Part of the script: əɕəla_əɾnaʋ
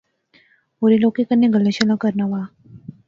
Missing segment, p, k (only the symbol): k